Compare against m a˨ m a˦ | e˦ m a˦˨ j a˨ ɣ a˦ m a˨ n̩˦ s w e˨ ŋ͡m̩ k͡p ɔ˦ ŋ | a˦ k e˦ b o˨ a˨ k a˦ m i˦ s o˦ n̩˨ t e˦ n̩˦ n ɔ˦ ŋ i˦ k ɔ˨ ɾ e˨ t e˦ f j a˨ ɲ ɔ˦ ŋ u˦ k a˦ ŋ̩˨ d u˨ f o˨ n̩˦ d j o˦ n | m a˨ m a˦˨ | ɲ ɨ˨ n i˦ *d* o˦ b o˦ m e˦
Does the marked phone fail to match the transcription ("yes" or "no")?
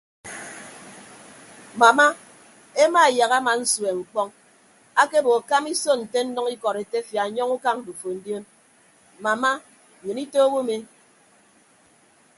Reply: yes